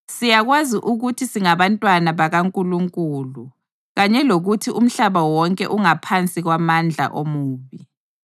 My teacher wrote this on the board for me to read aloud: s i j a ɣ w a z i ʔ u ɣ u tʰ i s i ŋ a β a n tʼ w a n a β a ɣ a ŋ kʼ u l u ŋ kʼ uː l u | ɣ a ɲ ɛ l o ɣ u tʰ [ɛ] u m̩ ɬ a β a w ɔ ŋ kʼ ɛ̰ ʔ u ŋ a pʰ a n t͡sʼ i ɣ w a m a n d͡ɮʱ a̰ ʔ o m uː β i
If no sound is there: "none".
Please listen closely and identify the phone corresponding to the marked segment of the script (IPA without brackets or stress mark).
i